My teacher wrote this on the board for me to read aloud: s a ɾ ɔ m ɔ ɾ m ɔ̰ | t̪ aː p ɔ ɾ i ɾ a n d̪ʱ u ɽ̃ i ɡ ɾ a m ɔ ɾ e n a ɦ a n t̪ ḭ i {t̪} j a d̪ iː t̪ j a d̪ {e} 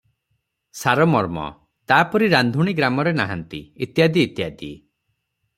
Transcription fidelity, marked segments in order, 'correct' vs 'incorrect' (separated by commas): correct, incorrect